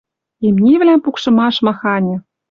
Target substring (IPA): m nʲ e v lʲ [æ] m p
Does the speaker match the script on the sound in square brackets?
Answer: yes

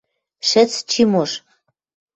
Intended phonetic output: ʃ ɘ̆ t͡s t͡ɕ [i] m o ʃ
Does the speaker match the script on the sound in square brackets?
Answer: yes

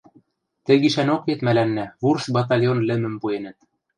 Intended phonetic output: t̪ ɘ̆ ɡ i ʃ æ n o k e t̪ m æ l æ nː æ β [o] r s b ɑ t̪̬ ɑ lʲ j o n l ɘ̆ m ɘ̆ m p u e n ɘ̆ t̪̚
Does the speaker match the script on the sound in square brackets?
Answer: no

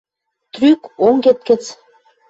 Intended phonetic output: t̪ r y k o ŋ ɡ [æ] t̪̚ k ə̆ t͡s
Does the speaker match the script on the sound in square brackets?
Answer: no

